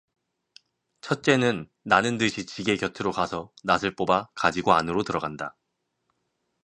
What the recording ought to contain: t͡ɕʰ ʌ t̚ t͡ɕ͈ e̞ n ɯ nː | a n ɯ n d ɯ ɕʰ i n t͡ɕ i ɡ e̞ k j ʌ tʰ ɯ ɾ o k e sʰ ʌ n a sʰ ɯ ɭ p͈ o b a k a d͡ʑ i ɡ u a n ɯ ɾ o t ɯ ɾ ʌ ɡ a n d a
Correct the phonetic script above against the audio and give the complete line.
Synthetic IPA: t͡ɕʰ ʌ t̚ t͡ɕ͈ e̞ n ɯ nː | a n ɯ n d ɯ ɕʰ i t͡ɕ i ɡ e̞ k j ʌ tʰ ɯ ɾ o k a sʰ ʌ n a sʰ ɯ ɭ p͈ o b a k a d͡ʑ i ɡ o a n ɯ ɾ o t ɯ ɾ ʌ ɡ a n d a